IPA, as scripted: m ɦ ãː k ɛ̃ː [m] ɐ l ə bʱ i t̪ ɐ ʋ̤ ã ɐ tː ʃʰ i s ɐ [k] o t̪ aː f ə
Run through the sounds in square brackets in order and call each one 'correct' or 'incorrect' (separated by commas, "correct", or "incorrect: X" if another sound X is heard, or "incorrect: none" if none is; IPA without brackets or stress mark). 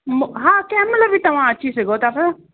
correct, incorrect: ɡ